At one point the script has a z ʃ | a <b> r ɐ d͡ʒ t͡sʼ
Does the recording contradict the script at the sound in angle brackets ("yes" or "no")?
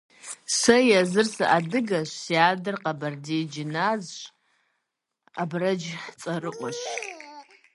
no